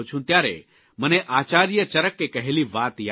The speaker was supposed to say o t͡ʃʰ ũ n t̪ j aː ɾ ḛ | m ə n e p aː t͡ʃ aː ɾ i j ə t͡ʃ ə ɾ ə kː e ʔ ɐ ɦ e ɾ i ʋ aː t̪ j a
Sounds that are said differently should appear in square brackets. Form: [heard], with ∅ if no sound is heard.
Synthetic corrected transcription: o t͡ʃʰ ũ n t̪ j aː ɾ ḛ | m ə n e [ʔ] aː t͡ʃ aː ɾ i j ə t͡ʃ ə ɾ ə kː e [k] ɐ ɦ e [l] i ʋ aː t̪ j a

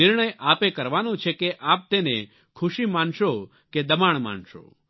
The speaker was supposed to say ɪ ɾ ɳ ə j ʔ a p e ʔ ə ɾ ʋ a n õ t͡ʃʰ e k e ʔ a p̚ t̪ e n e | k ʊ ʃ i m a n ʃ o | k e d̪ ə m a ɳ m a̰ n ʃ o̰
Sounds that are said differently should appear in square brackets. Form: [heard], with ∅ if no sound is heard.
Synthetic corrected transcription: ɪ ɾ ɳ ə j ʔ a p e [k] ə ɾ ʋ a n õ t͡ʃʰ e k e ʔ a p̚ t̪ e n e | [kʰ] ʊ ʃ i m a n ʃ o | k e d̪ ə m a ɳ m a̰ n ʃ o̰

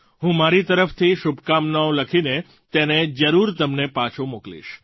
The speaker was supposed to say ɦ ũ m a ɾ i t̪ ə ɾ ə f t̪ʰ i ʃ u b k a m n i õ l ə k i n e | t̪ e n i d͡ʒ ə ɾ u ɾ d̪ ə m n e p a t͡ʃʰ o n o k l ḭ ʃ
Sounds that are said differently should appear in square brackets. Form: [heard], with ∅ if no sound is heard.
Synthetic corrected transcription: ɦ ũ m a ɾ i t̪ ə ɾ ə f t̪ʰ i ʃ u b k a m n [a] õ l ə [kʰ] i n e | t̪ e n [e] d͡ʒ ə ɾ u ɾ [t̪] ə m n e p a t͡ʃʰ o [m] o k l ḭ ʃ

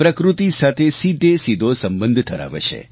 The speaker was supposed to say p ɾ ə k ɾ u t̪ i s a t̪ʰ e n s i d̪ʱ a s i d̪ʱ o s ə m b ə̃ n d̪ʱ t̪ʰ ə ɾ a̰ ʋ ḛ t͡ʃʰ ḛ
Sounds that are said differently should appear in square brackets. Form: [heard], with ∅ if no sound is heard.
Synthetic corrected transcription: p ɾ ə k ɾ u t̪ i s a t̪ʰ e [∅] s i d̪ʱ [e] s i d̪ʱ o s ə m b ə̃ n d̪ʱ t̪ʰ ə ɾ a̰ ʋ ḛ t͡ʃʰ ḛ

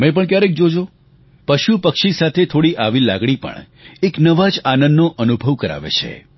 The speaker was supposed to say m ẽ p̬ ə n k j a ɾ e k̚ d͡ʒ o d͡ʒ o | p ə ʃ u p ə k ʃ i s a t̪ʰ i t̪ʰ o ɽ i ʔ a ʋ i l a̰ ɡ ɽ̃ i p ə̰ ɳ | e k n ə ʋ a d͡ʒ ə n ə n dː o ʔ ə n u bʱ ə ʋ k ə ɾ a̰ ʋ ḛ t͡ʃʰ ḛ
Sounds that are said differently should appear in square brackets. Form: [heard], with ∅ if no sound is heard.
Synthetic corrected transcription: m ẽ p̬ ə [ɳ] k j a ɾ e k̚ d͡ʒ o d͡ʒ o | p ə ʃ u p ə k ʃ i s a t̪ʰ [e] t̪ʰ o ɽ i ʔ a ʋ i l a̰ ɡ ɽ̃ i p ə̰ ɳ | e k n ə ʋ a d͡ʒ [a] n ə n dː o ʔ ə n u bʱ ə ʋ k ə ɾ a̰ ʋ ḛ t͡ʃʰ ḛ

